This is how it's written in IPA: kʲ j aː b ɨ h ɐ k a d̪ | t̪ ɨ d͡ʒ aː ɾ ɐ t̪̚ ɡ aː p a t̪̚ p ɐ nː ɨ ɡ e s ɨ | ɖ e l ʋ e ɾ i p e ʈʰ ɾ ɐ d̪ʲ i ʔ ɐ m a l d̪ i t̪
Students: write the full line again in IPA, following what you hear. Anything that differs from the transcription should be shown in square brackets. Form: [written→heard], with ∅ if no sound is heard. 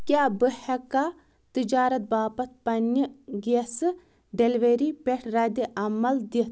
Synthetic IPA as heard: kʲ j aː b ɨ h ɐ k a [d̪→∅] | t̪ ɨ d͡ʒ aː ɾ ɐ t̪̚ [ɡ→b] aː p [a→ɐ] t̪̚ p ɐ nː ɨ ɡ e s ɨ | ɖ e l ʋ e ɾ i p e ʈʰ ɾ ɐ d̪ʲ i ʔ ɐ m [a→ɐ] l d̪ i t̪

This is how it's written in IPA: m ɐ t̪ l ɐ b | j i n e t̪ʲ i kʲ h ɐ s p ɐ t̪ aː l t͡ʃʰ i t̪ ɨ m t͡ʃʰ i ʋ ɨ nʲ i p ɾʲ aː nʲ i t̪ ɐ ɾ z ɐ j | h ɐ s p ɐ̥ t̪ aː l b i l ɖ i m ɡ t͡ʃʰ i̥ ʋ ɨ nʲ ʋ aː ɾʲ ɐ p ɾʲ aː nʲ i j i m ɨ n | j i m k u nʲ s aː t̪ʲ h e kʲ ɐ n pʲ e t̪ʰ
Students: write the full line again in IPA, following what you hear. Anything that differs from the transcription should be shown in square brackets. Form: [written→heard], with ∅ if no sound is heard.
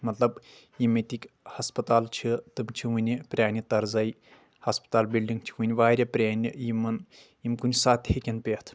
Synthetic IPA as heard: m ɐ t̪ l ɐ b | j i [n→m] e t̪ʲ i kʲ h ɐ s p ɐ t̪ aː l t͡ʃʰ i t̪ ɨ m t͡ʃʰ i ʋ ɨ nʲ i p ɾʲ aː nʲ i t̪ ɐ ɾ z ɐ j | h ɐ s p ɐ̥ t̪ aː l b i l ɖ i [m→ŋ] ɡ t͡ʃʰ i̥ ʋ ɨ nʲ ʋ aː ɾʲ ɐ p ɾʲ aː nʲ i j i m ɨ n | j i m k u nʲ s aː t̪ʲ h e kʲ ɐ n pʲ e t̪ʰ

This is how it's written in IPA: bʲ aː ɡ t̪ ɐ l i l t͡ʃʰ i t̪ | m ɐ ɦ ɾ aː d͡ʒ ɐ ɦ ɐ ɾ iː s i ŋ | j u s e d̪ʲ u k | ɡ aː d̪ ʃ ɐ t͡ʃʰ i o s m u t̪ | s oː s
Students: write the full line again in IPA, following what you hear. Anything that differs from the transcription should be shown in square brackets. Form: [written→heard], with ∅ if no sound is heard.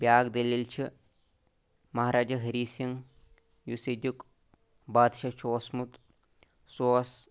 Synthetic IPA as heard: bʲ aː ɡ [t̪→d̪] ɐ l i l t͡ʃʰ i [t̪→∅] | m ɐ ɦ ɾ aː d͡ʒ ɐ ɦ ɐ ɾ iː s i ŋ | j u s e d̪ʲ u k | [ɡ→b] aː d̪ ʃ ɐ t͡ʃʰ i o s m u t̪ | s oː s

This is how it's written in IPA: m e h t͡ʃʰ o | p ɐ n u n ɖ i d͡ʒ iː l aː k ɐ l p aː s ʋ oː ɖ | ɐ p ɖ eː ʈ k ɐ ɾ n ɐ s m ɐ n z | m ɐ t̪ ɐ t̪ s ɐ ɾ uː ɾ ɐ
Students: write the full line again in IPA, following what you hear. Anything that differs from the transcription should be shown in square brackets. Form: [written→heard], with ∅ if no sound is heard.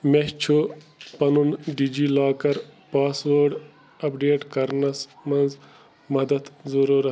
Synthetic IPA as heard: m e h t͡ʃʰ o | p ɐ n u n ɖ i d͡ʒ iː l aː k ɐ [l→ɾ] p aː s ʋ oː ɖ | ɐ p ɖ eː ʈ k ɐ ɾ n ɐ s m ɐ n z | m ɐ [t̪→d̪] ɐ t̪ [s→z] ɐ ɾ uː ɾ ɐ

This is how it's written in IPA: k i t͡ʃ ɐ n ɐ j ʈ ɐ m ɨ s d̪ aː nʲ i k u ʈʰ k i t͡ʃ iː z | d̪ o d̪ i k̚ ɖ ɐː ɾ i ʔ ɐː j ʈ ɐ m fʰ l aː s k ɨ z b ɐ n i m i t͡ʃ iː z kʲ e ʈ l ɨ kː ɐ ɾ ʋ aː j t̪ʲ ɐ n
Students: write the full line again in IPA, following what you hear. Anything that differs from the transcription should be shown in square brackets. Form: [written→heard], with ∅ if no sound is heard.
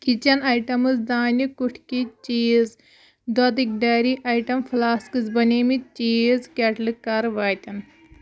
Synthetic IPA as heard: k i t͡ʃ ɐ n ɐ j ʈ ɐ m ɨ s d̪ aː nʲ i k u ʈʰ k i t͡ʃ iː z | d̪ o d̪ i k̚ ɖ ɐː ɾ i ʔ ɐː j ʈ ɐ m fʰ l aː s k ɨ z b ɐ n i m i t͡ʃ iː z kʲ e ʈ l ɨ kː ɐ ɾ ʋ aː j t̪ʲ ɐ n

